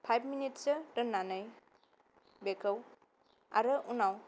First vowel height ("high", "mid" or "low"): low